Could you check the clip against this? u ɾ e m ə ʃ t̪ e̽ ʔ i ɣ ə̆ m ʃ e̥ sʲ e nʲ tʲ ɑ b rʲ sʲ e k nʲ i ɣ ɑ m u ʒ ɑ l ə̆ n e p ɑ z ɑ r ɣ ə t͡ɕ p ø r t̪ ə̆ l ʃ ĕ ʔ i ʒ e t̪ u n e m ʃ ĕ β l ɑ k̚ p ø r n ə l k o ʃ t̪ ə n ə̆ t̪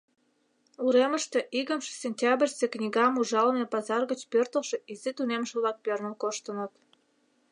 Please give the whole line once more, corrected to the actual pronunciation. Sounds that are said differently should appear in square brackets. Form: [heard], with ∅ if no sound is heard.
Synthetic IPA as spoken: u ɾ e m ə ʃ t̪ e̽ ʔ i ɣ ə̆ m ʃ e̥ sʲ e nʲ tʲ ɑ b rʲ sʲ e k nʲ i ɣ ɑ m u ʒ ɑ l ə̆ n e p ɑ z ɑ r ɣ ə t͡ɕ p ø r t̪ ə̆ l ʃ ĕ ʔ i [z] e t̪ u n e m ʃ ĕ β l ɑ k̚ p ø r n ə l k o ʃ t̪ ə n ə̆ t̪